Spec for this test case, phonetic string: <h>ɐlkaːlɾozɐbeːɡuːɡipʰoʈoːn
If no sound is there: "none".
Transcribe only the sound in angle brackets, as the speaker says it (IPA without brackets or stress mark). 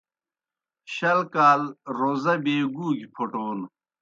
ɕ